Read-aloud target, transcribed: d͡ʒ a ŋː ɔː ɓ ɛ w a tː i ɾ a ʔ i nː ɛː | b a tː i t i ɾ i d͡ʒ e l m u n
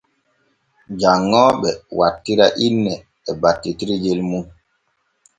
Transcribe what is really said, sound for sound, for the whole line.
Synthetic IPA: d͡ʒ a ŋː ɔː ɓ ɛ w a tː i ɾ a ʔ i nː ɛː | b a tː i t i ɾ i d͡ʒ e l m u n